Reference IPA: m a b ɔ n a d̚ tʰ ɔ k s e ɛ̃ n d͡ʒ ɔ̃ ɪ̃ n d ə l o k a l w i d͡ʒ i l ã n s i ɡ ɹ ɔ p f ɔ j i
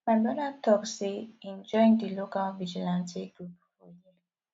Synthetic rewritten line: m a d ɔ n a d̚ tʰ ɔ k s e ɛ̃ n d͡ʒ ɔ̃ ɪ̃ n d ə l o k a l v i d͡ʒ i l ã n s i ɡ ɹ u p f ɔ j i